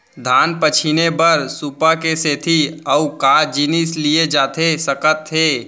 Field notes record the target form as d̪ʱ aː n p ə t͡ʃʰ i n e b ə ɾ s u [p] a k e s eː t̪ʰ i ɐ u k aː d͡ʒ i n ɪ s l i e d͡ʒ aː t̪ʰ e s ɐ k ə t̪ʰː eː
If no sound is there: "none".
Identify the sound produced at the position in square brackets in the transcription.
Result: p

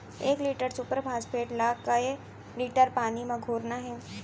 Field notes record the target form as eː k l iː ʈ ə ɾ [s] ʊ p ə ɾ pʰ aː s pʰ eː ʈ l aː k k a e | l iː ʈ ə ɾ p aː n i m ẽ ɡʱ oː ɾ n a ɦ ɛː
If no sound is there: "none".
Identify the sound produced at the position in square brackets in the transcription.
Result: s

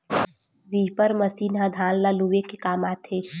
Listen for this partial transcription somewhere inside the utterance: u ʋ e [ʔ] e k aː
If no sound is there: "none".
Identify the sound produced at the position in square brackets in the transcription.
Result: k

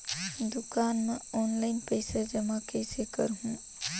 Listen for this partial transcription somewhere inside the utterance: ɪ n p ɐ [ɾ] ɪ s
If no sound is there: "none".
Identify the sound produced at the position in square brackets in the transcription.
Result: none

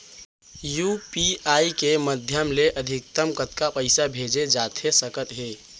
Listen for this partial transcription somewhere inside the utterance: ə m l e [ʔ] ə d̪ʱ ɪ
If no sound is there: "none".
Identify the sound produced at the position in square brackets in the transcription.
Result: ʔ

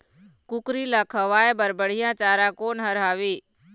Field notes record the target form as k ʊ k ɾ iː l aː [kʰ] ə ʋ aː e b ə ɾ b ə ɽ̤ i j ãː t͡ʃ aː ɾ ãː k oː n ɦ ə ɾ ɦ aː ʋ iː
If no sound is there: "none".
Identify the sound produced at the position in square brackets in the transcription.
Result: kʰ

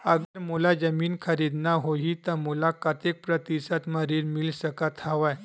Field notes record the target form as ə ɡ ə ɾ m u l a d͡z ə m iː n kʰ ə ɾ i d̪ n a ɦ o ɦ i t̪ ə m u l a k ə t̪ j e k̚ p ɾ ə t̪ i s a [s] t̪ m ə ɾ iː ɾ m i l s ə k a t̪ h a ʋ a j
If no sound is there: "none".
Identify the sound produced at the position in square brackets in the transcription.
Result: none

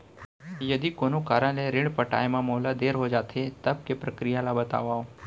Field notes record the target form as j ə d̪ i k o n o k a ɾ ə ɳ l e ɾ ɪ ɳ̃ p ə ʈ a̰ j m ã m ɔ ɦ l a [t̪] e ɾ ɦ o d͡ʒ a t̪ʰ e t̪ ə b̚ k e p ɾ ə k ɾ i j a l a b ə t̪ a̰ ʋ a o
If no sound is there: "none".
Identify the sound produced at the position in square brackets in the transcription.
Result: d̪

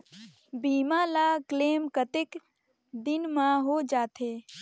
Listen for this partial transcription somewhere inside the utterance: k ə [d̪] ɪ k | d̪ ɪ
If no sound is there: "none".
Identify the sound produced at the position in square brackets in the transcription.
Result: t̪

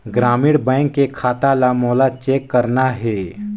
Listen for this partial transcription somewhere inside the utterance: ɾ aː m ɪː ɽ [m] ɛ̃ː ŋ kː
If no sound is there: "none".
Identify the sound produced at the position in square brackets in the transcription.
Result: b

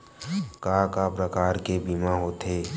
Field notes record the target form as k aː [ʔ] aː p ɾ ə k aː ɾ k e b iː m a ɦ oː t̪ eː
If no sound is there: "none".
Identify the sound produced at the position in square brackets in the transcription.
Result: k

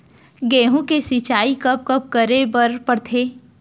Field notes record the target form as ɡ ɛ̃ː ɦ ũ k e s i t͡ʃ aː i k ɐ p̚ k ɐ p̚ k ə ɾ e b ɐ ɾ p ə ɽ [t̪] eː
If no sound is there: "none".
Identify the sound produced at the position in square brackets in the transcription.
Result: t̪ʰ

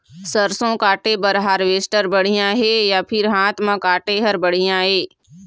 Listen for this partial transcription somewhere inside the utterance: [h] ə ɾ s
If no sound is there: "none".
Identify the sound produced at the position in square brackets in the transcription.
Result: s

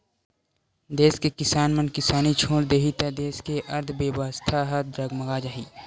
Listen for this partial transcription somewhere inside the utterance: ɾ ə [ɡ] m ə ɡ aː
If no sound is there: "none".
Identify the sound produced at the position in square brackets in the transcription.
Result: ɡ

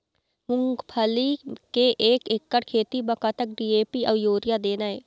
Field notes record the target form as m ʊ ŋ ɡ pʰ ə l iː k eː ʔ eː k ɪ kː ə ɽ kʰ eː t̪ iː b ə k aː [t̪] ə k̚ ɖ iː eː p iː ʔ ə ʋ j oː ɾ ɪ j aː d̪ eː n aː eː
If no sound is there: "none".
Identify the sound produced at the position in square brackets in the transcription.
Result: t̪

